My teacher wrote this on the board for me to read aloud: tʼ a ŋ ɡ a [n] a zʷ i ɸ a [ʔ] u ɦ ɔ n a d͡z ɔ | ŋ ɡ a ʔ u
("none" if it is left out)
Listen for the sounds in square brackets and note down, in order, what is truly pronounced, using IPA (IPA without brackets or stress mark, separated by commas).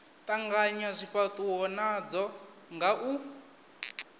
ɲ, t